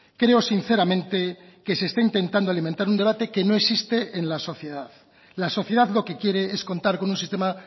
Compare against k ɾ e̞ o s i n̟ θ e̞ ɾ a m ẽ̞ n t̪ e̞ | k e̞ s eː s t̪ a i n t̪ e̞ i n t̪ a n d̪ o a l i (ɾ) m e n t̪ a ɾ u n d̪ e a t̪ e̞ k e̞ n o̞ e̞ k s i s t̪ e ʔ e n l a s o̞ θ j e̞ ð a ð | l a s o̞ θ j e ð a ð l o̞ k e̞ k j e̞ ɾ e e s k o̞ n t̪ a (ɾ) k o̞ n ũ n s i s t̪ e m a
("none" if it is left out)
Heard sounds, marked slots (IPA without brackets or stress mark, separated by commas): none, ɾ